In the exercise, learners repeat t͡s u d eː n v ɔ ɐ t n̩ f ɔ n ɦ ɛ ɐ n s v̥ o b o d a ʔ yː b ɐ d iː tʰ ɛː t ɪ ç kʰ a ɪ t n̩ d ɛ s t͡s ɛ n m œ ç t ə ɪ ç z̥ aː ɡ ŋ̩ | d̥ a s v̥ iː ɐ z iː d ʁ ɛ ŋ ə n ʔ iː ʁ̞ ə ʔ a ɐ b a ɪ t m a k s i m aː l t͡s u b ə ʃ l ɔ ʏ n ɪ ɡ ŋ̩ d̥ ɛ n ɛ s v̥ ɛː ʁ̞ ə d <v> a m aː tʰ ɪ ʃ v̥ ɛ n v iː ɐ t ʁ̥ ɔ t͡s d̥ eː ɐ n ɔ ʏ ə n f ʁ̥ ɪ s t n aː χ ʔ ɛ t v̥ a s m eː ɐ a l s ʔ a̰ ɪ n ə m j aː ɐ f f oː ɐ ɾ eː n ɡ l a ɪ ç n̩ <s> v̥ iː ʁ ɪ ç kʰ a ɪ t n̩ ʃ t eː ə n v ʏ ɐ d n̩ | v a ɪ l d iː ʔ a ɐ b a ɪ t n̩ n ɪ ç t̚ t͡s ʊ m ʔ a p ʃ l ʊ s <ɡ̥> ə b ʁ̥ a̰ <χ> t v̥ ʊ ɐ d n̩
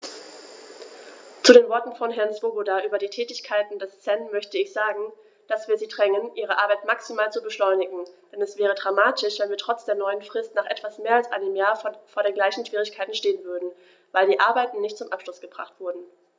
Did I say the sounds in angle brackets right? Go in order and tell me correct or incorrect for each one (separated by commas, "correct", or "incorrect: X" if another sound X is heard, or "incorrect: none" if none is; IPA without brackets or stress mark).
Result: incorrect: ʁ, incorrect: ʃ, correct, correct